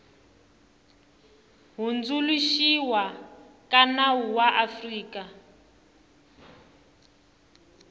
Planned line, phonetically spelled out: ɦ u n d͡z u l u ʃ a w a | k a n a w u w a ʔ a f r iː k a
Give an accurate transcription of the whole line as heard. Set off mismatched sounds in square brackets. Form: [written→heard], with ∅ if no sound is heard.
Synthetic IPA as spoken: ɦ u n d͡z u l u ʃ [a→i] w a | k a n a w u w a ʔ a f r iː k a